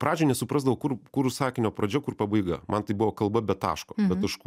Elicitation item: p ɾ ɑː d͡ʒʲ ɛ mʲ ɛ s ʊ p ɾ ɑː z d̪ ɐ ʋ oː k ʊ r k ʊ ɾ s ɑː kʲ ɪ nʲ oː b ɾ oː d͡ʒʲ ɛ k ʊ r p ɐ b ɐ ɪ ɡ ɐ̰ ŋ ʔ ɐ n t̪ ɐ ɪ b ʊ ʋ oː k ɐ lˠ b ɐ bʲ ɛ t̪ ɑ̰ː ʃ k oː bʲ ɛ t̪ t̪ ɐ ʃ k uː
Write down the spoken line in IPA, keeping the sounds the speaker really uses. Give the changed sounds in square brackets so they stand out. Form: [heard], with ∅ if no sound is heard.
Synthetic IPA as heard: p ɾ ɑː d͡ʒʲ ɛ [nʲ] ɛ s ʊ p ɾ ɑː z d̪ ɐ ʋ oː k ʊ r k ʊ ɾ s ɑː kʲ ɪ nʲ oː [p] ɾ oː d͡ʒʲ ɛ k ʊ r p ɐ b ɐ ɪ ɡ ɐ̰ [m] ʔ ɐ n t̪ ɐ ɪ b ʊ ʋ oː k ɐ lˠ b ɐ bʲ ɛ t̪ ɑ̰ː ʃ k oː bʲ ɛ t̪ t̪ ɐ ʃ k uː